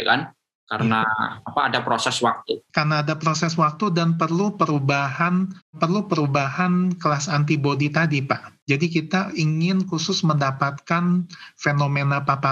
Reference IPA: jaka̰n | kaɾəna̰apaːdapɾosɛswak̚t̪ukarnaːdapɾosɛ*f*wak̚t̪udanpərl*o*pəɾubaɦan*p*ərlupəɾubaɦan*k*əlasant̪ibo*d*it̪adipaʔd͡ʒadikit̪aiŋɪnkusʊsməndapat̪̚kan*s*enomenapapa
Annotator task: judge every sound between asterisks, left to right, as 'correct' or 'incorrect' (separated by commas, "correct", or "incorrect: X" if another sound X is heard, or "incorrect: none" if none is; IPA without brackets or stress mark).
incorrect: s, incorrect: u, correct, correct, correct, incorrect: f